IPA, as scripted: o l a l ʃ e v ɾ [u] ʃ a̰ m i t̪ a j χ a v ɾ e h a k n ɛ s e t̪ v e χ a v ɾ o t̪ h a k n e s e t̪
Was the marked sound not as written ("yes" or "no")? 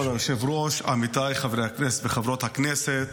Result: yes